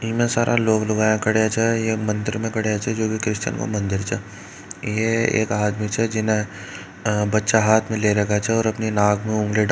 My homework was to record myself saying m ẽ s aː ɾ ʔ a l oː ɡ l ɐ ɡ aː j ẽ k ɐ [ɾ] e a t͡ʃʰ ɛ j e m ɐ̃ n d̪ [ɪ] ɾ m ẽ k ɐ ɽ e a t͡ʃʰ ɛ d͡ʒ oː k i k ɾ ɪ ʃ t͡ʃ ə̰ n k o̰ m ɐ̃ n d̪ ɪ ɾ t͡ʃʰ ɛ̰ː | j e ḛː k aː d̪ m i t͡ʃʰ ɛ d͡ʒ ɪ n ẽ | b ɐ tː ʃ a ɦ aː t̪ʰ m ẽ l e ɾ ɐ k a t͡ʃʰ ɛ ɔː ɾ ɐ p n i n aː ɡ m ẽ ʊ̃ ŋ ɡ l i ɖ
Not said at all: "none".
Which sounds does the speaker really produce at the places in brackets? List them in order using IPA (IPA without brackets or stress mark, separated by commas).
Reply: ɽ, ɪ